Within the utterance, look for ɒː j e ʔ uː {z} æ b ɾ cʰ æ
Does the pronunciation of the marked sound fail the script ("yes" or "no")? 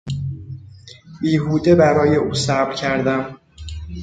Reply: yes